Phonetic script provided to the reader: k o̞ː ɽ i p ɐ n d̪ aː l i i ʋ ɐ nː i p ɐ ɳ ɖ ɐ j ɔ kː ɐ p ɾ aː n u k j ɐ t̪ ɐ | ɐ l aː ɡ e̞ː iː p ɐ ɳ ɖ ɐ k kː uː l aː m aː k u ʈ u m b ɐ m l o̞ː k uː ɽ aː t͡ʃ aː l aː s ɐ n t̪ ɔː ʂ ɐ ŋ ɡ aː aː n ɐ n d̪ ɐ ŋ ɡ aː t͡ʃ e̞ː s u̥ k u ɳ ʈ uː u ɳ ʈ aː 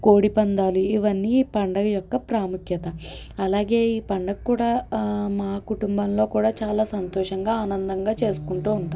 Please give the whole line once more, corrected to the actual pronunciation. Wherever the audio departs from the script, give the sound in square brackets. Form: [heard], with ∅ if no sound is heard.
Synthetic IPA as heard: k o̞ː ɽ i p ɐ n d̪ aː l i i ʋ ɐ nː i p ɐ ɳ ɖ ɐ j ɔ kː ɐ p ɾ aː [m] u k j ɐ t̪ ɐ | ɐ l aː ɡ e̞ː iː p ɐ ɳ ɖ ɐ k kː uː [ɽ] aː m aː k u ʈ u m b ɐ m l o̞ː k uː ɽ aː t͡ʃ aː l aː s ɐ n t̪ ɔː ʂ ɐ ŋ ɡ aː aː n ɐ n d̪ ɐ ŋ ɡ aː t͡ʃ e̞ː s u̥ k u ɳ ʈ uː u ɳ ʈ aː